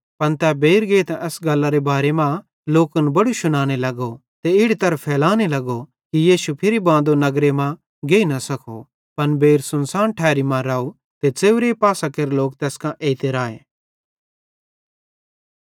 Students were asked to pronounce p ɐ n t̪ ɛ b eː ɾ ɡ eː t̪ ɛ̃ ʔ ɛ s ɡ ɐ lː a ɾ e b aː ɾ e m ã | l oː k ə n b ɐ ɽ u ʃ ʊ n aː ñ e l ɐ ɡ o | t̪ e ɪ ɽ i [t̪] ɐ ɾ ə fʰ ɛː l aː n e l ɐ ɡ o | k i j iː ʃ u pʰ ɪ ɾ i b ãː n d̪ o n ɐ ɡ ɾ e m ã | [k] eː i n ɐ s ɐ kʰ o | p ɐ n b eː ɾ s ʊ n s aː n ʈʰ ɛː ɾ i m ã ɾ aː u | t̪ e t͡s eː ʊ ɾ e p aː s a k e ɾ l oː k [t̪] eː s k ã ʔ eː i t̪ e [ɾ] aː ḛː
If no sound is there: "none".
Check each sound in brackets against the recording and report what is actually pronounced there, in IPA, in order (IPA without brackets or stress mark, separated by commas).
t̪, ɡ, t̪, ɾ